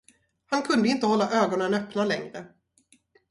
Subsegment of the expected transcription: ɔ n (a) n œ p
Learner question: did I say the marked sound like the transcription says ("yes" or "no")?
no